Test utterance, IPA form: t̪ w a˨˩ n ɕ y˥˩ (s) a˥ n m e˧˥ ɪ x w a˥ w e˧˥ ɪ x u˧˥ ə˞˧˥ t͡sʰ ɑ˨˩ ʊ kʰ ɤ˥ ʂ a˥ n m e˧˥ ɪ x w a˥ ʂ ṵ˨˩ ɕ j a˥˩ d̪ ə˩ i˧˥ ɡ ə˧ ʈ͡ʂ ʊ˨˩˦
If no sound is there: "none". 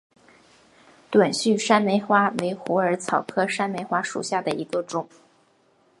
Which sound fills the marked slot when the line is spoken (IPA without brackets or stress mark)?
ʂ